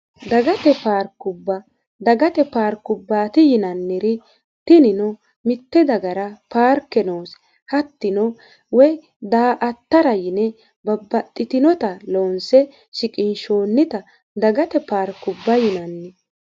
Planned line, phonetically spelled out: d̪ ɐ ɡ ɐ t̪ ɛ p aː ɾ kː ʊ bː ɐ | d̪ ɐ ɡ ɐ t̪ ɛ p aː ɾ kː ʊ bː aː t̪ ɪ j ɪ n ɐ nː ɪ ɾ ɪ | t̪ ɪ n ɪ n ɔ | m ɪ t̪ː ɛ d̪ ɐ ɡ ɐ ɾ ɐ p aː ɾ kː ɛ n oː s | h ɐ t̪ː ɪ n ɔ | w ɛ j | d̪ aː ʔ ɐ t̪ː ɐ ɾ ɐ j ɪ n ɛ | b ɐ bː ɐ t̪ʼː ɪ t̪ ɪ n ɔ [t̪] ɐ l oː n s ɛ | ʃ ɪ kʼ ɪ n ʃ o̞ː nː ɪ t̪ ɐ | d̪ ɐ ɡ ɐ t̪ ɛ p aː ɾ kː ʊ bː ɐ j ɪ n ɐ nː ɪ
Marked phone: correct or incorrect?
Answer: correct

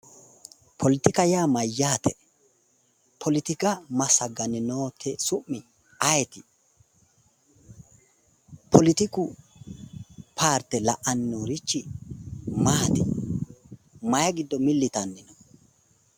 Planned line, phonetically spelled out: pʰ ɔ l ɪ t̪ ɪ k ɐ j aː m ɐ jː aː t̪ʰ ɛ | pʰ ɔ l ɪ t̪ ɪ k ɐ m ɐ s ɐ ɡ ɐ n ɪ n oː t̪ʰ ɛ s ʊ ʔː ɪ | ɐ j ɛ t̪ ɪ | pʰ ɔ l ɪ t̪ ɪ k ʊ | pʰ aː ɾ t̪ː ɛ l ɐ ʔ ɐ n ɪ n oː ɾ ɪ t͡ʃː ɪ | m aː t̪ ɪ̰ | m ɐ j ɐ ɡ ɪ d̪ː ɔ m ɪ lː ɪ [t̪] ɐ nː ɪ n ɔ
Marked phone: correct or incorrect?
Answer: correct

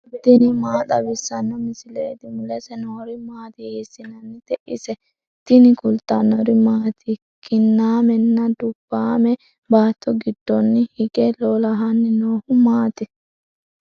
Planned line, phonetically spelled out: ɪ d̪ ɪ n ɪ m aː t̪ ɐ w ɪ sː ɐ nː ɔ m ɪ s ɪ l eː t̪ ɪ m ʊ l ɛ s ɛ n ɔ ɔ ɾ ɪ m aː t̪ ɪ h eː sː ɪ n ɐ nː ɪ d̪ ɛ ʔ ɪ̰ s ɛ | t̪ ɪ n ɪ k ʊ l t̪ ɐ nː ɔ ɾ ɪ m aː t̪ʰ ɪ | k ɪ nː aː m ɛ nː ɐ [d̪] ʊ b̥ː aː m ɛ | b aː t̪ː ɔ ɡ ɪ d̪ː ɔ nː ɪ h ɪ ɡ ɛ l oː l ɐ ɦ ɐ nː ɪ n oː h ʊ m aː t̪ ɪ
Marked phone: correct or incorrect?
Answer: correct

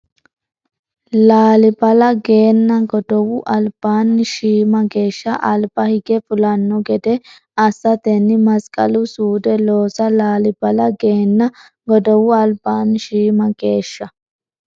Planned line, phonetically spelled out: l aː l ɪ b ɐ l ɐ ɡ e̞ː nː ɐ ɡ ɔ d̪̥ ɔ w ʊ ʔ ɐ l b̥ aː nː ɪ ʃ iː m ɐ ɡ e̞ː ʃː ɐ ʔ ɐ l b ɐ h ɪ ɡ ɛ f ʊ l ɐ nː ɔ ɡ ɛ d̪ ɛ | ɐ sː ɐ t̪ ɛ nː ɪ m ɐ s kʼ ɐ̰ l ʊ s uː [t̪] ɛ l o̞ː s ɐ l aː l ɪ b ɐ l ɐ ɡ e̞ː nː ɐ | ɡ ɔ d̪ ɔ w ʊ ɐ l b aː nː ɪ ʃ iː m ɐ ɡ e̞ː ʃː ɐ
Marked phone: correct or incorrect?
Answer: incorrect: d̪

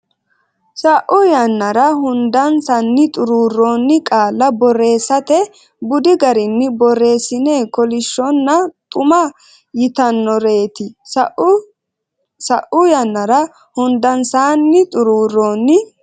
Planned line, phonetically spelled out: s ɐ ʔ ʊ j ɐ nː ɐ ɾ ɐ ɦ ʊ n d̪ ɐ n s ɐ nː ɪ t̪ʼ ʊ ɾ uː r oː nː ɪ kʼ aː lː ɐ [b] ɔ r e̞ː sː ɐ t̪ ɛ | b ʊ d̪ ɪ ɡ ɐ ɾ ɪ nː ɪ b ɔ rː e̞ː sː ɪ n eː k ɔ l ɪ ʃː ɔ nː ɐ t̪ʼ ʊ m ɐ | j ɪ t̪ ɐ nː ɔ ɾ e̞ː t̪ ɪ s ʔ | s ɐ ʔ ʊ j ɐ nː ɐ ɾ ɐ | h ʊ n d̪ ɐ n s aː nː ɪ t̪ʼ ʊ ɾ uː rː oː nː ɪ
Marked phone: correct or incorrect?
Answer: correct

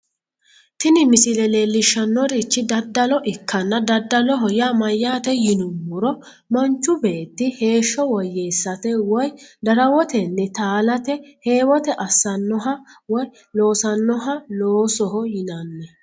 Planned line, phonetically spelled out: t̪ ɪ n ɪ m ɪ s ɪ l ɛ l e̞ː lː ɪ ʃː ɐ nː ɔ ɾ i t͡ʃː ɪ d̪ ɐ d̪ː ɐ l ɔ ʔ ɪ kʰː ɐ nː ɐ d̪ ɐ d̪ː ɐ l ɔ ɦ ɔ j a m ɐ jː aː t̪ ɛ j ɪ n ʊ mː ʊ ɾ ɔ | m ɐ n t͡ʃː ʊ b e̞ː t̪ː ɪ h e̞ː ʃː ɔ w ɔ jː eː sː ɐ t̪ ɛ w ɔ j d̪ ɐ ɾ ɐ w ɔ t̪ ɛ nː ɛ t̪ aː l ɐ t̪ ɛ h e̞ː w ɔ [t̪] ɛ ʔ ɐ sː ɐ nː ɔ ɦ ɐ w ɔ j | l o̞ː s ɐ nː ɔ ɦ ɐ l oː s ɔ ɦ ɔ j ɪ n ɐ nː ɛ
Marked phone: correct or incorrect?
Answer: correct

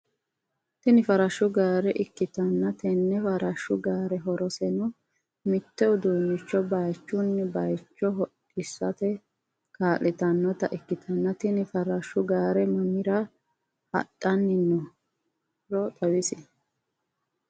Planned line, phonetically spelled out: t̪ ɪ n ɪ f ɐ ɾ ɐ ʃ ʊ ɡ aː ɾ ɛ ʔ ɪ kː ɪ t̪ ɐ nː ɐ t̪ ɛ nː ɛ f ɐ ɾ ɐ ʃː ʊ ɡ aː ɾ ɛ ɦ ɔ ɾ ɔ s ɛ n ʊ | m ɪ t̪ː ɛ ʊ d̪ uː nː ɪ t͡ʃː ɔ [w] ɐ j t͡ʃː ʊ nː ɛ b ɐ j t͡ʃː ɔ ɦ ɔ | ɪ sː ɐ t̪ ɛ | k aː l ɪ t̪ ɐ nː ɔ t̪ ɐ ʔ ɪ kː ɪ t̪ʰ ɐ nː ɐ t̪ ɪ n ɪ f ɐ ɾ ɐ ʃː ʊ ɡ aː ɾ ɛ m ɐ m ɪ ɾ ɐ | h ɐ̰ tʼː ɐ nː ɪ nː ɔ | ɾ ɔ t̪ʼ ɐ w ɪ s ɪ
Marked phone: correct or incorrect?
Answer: incorrect: b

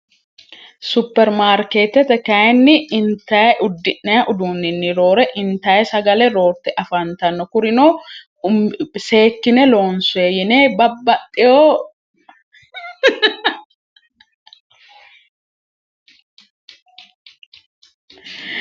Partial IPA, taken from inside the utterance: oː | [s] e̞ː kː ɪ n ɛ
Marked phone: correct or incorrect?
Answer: correct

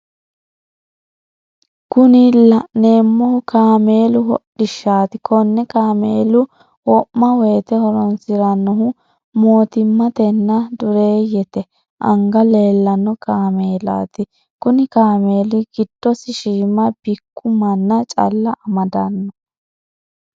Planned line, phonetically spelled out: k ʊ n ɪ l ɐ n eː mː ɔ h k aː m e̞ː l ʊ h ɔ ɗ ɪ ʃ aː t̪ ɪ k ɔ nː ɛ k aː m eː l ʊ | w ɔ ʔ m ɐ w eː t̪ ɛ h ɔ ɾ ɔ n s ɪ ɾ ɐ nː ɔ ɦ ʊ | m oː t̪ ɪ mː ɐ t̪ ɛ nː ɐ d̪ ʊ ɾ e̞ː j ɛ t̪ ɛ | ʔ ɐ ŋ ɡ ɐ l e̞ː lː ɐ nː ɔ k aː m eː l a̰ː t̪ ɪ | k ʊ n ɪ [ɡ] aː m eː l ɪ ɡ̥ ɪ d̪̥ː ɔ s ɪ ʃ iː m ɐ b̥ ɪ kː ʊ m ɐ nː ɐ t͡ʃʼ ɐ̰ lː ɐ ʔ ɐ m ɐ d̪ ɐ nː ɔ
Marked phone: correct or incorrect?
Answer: incorrect: k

